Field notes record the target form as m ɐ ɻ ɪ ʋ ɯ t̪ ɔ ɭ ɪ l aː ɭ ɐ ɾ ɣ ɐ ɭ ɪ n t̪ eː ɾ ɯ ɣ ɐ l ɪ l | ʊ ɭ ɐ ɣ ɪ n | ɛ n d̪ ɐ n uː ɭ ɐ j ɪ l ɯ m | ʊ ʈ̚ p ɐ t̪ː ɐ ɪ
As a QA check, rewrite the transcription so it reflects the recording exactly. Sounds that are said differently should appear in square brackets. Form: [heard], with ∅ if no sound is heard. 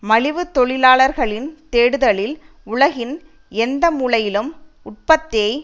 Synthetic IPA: m ɐ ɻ ɪ ʋ ɯ t̪ ɔ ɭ ɪ l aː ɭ ɐ ɾ ɣ ɐ ɭ ɪ n t̪ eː [ɽ] ɯ [ð] ɐ [ɭ] ɪ l | ʊ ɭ ɐ ɣ ɪ n | ɛ n d̪ ɐ [m] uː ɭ ɐ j ɪ l ɯ m | ʊ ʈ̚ p ɐ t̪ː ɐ ɪ